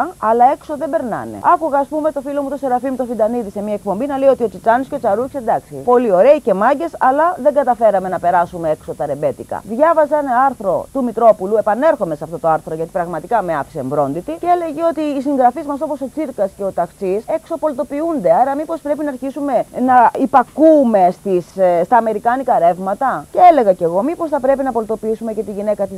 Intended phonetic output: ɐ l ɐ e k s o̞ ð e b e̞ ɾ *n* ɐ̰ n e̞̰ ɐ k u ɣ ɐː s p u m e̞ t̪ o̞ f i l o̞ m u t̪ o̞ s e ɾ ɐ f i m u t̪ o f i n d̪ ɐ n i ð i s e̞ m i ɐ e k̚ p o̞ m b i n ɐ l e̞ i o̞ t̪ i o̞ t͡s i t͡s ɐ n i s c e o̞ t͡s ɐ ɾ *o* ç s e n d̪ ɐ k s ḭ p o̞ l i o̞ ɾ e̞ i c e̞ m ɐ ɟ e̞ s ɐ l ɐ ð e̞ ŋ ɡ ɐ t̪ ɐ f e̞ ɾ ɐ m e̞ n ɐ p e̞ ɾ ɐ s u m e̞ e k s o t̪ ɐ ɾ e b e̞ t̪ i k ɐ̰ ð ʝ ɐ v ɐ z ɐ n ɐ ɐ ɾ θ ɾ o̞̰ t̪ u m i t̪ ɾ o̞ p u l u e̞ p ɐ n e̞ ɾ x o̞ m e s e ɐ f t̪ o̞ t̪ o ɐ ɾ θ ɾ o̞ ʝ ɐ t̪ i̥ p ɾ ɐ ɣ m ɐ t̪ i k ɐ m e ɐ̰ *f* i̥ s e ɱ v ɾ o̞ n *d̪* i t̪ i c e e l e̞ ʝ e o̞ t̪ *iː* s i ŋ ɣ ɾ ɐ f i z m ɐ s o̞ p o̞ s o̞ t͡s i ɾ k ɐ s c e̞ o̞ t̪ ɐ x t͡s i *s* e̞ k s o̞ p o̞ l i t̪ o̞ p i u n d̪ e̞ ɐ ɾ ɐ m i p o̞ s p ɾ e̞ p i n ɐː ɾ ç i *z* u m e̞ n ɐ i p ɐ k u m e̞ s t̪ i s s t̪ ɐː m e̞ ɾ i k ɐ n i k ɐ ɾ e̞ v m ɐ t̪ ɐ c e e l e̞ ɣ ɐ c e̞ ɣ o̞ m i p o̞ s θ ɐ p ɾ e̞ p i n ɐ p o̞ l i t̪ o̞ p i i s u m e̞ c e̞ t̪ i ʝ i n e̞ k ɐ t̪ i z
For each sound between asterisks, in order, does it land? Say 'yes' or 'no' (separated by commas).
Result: yes, no, yes, yes, yes, yes, no